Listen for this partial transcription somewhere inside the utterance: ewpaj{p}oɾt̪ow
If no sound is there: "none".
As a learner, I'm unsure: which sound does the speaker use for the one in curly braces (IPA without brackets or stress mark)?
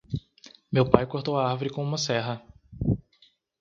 k